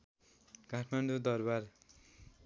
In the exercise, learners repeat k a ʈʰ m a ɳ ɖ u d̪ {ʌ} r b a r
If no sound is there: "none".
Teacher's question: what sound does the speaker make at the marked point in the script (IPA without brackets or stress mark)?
ʌ